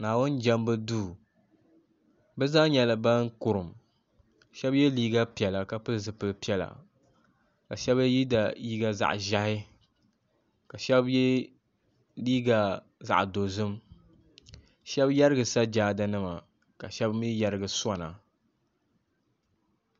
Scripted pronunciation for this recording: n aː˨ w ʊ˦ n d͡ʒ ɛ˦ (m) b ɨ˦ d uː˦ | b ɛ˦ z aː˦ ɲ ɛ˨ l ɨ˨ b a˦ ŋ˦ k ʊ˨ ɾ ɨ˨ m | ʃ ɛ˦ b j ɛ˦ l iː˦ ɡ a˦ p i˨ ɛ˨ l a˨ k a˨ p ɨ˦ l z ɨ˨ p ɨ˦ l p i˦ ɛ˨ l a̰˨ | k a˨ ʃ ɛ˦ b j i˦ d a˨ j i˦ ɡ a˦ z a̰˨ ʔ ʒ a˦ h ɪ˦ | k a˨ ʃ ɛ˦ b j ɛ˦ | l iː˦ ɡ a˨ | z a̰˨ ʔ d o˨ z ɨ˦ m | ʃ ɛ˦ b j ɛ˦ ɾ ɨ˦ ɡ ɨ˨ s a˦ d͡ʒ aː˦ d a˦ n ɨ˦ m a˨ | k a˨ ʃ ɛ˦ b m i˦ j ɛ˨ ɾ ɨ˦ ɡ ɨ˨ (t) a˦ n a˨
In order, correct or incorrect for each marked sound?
correct, incorrect: s

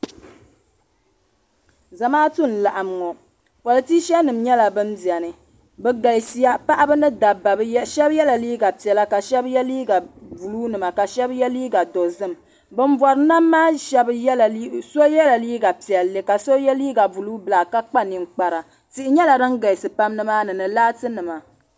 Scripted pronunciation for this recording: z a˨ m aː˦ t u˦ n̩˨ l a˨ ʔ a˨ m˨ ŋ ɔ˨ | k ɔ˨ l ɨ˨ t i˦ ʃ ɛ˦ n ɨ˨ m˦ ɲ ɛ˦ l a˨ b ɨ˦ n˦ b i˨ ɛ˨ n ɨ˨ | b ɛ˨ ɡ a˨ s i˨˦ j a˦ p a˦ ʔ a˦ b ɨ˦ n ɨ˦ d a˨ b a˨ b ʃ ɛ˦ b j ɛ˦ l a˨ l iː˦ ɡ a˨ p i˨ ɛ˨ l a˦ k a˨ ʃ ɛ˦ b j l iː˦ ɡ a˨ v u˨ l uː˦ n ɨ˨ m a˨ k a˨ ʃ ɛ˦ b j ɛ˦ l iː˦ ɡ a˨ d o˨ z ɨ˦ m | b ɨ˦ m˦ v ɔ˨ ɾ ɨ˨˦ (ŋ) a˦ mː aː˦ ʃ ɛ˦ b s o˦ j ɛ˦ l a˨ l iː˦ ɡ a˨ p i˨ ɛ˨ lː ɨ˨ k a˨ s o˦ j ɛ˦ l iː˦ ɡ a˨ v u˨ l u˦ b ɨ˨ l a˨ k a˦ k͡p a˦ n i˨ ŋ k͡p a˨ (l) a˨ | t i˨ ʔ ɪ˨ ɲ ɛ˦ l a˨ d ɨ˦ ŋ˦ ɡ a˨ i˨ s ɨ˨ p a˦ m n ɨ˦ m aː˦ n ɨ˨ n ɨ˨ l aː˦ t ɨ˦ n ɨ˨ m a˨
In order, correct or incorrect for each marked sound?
incorrect: n, incorrect: ɾ

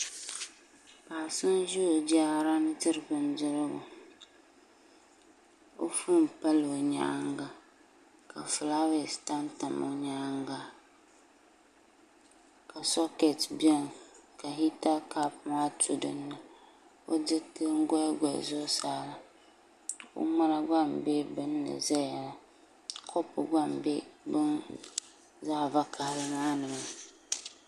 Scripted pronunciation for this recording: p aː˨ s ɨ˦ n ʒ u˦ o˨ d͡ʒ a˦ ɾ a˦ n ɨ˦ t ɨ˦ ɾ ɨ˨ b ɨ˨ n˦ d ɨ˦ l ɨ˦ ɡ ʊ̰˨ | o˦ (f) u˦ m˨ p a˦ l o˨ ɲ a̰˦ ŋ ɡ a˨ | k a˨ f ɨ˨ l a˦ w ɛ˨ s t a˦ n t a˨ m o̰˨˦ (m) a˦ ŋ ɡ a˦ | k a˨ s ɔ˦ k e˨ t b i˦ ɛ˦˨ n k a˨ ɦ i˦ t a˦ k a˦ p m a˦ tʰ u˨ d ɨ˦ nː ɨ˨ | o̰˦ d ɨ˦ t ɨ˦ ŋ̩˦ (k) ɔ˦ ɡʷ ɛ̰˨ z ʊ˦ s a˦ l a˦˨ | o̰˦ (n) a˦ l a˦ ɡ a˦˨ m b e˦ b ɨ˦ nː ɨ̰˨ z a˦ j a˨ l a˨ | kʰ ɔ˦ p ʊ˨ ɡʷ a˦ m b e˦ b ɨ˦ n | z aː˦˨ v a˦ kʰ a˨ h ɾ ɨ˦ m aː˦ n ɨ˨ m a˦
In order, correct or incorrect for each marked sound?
correct, incorrect: ɲ, incorrect: ɡ, incorrect: m

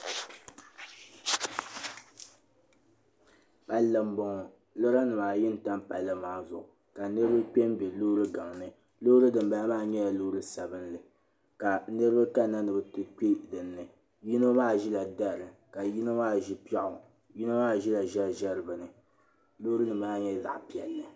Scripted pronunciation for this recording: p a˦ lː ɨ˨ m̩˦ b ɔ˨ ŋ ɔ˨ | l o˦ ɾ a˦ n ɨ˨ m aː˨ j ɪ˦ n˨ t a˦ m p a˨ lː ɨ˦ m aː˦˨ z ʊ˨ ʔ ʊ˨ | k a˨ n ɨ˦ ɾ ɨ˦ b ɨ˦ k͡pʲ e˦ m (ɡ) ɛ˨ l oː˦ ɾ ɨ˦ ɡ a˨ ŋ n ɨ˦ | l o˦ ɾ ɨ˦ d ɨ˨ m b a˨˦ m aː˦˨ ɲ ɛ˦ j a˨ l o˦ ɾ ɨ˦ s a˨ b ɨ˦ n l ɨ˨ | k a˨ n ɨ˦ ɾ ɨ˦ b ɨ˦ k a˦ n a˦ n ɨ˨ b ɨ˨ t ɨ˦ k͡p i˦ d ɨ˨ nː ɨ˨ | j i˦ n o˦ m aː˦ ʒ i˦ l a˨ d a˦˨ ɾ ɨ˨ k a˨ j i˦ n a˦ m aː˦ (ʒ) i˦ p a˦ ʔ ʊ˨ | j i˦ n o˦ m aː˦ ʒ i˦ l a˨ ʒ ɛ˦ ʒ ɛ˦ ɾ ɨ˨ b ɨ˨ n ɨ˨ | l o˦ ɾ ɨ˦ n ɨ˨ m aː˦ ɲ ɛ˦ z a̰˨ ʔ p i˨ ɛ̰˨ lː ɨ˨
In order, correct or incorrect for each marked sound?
incorrect: b, correct

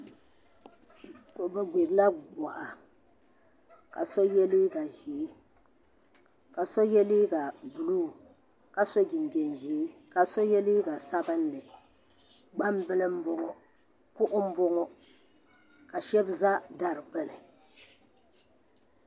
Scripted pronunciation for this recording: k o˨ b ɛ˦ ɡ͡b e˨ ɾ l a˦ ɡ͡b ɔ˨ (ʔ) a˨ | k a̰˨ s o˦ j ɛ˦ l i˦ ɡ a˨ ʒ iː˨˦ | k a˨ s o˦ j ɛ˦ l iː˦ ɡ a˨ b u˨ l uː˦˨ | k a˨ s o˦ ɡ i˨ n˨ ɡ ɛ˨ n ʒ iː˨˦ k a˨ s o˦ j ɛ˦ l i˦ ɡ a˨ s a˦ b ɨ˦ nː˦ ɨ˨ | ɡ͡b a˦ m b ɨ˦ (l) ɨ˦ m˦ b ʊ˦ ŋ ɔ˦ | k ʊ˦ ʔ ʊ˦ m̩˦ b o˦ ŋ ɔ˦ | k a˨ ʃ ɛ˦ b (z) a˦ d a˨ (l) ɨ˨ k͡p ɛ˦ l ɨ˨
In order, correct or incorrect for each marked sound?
correct, correct, correct, incorrect: ɾ

